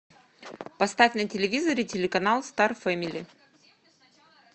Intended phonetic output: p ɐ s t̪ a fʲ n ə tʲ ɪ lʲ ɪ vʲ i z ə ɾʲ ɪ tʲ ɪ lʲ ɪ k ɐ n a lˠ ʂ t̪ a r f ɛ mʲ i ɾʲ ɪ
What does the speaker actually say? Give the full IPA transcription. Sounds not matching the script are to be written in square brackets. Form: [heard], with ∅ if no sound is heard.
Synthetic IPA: p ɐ s t̪ a fʲ n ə tʲ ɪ lʲ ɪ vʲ i z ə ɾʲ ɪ tʲ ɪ lʲ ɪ k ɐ n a lˠ [s] t̪ a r f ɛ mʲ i [lʲ] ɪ